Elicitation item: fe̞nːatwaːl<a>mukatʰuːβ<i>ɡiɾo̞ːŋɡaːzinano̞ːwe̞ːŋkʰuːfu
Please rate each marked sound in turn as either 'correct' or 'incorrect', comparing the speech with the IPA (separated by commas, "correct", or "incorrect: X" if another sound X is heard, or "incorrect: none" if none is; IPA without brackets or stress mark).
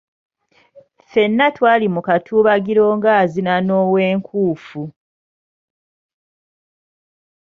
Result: incorrect: i, incorrect: a